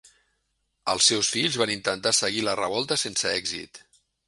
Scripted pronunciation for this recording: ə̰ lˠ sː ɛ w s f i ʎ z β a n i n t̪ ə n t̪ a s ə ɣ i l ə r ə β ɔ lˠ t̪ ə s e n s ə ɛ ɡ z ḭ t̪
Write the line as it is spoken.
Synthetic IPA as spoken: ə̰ lˠ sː ɛ w s f i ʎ z β a n i n t̪ ə n t̪ a s ə ɣ i l ə r ə β ɔ lˠ t̪ ə s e n s ə ɛ ɡ z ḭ t̪